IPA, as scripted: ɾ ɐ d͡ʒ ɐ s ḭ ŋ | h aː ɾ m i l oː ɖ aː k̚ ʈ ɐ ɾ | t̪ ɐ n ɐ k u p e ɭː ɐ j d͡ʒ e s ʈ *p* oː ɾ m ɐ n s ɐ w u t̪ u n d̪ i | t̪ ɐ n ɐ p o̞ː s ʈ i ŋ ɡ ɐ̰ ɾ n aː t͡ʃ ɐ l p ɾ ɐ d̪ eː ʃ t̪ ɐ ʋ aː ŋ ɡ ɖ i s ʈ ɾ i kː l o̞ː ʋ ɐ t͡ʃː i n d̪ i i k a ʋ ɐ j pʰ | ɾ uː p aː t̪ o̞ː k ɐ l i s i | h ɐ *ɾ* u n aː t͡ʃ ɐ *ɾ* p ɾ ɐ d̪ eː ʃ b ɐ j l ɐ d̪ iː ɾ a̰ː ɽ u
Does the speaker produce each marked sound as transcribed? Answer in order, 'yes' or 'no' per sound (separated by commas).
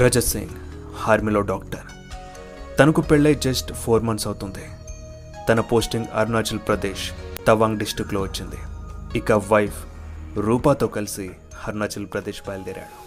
no, yes, no